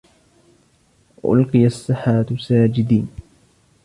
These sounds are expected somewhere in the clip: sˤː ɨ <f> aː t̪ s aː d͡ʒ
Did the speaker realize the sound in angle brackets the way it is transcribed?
no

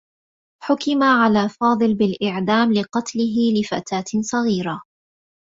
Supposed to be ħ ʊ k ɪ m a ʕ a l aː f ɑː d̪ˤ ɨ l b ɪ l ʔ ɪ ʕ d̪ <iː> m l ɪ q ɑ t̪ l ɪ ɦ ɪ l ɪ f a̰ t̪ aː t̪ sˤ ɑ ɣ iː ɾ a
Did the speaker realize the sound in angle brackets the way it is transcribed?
no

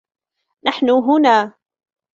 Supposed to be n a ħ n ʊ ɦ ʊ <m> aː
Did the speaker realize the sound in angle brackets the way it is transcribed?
no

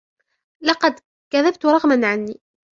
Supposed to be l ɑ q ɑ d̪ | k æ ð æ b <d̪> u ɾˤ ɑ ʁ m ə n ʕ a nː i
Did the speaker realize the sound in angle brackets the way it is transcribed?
no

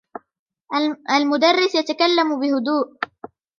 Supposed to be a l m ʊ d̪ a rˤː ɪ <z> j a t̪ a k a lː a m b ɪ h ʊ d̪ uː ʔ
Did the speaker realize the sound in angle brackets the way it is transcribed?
no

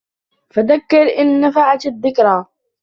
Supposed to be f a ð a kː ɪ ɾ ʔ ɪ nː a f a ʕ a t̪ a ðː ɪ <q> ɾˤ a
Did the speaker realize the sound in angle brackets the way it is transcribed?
no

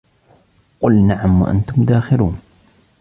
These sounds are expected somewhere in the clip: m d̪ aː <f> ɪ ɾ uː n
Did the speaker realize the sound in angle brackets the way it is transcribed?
no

